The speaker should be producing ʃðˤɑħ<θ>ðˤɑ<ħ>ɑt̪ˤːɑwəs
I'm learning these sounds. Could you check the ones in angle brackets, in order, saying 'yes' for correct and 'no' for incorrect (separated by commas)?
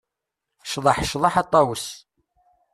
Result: no, yes